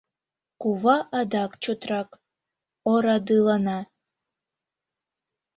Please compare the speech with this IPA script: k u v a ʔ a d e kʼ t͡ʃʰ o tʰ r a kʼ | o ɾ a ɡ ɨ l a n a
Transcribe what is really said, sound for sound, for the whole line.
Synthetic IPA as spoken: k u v a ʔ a d a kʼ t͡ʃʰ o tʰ r a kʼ | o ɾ a d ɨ l a n a